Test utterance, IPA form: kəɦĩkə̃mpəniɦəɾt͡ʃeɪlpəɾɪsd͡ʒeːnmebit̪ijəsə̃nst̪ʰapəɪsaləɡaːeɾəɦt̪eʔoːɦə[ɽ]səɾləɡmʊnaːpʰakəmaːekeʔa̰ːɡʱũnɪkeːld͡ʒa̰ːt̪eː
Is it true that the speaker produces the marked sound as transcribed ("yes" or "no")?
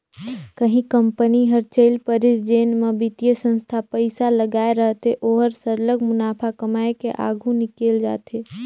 no